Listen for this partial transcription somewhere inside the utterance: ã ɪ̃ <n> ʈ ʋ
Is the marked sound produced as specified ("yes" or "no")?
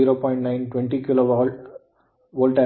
yes